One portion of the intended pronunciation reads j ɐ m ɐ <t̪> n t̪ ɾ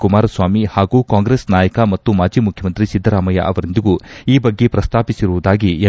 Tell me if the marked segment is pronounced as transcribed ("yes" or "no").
no